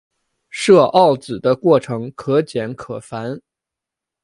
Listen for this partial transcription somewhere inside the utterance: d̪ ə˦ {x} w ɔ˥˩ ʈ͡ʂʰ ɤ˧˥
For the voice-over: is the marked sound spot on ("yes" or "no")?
no